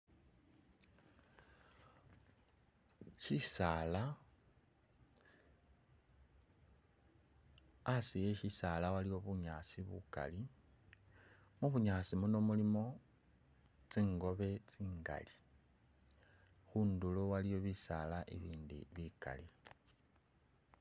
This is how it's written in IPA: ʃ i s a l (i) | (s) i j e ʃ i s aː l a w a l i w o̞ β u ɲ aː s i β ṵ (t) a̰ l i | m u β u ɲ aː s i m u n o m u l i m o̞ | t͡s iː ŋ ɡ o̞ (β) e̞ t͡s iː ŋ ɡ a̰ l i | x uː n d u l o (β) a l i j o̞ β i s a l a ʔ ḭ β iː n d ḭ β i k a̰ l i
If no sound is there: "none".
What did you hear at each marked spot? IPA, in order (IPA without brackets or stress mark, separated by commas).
a, s, k, β, w